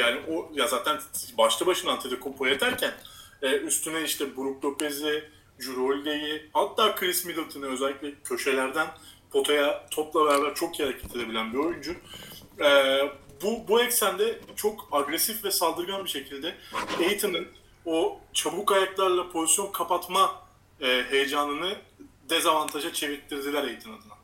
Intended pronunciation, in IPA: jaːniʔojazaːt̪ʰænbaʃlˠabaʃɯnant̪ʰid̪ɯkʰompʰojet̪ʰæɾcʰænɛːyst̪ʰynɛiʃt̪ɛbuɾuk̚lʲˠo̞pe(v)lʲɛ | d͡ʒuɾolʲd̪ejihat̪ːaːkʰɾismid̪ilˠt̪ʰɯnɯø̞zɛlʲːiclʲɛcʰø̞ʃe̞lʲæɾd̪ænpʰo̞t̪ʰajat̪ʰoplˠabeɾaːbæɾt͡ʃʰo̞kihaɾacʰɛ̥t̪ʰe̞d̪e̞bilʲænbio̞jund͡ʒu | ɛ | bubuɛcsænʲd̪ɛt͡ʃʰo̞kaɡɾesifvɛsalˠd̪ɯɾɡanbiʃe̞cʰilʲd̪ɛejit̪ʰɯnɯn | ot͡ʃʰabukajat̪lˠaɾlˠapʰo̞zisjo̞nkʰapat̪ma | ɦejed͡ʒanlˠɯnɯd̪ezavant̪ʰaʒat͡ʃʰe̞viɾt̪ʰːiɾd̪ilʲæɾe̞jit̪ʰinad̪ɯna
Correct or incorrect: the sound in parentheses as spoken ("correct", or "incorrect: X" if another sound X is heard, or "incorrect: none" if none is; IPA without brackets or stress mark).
incorrect: z